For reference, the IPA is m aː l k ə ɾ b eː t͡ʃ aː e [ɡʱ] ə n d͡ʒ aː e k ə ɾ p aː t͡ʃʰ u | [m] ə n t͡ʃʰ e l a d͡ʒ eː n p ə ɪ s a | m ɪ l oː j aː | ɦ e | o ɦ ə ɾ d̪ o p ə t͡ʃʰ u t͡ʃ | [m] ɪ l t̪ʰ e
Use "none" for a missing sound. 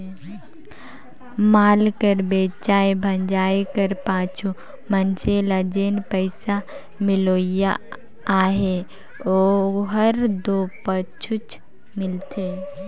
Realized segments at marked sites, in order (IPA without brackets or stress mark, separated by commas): bʱ, m, m